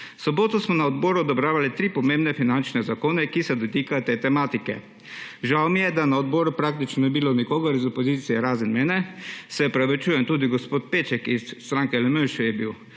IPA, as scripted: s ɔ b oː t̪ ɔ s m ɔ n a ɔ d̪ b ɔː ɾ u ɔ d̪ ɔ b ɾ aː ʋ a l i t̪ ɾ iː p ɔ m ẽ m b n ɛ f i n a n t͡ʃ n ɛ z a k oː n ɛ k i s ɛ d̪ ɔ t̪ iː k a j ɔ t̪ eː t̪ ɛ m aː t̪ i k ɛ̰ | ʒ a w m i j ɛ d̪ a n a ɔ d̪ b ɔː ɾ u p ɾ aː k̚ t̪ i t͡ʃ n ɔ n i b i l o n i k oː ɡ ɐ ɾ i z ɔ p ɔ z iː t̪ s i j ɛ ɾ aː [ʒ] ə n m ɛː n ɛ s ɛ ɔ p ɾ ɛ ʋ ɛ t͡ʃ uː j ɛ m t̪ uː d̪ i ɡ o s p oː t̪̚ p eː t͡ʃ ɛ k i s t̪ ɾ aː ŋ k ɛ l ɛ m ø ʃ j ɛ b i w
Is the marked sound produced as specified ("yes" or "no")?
no